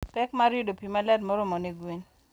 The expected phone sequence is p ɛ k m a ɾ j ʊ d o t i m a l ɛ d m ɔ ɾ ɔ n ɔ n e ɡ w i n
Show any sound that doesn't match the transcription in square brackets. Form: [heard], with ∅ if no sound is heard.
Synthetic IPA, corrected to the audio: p ɛ k m a ɾ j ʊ d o [p] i m a l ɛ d m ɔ ɾ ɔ [m] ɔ n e ɡ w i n